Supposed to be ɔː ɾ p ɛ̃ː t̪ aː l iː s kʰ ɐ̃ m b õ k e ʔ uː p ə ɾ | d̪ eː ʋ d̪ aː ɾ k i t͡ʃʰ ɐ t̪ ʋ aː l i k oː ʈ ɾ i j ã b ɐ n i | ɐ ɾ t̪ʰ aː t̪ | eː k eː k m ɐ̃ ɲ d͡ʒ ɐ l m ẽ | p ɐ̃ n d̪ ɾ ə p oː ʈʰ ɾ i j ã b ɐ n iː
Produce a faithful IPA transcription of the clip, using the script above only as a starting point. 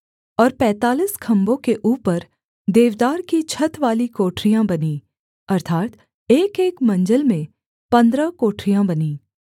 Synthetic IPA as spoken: ɔː ɾ p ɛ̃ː t̪ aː l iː s kʰ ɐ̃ m b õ k e ʔ uː p ə ɾ | d̪ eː ʋ d̪ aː ɾ k i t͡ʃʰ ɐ t̪ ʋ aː l i k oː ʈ ɾ i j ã b ɐ n i | ɐ ɾ t̪ʰ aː t̪ | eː k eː k m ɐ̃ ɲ d͡ʒ ə l m ẽ | p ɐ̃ n d̪ ɾ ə k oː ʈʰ ɾ i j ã b ɐ n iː

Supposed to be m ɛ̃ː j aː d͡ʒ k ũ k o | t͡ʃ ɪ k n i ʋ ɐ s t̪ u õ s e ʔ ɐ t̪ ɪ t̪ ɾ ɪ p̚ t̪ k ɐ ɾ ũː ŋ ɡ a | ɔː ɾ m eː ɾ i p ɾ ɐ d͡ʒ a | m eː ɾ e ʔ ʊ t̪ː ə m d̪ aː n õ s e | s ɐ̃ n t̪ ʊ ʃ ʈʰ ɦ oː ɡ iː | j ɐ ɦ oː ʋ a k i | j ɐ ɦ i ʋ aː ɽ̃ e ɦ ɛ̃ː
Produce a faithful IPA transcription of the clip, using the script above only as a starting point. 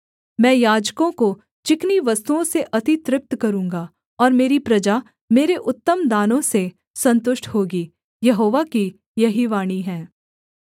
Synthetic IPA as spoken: m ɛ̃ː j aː d͡ʒ k õ k o | t͡ʃ ɪ k n i ʋ ɐ s t̪ u õ s e ʔ ɐ t̪ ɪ t̪ ɾ ɪ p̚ t̪ k ɐ ɾ ũː ŋ ɡ a | ɔː ɾ m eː ɾ i p ɾ ɐ d͡ʒ a | m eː ɾ e ʔ ʊ t̪ː ə m d̪ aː n õ s e | s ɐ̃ n t̪ ʊ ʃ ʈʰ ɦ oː ɡ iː | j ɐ ɦ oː ʋ a k i | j ɐ ɦ i ʋ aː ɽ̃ i ɦ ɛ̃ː

